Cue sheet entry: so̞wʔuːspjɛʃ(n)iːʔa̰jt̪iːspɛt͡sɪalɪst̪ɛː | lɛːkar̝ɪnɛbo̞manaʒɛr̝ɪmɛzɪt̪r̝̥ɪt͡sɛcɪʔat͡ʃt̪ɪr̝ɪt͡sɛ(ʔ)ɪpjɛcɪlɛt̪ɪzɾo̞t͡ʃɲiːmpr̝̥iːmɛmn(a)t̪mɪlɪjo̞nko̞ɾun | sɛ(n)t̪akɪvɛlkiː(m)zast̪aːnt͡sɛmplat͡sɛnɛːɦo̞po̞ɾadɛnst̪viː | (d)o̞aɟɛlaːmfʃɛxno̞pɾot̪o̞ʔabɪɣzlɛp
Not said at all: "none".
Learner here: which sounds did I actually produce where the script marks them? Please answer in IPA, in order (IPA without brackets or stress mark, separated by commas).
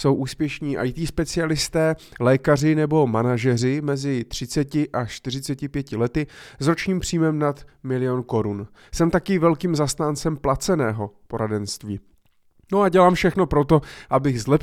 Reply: ɲ, c, a, m, m, n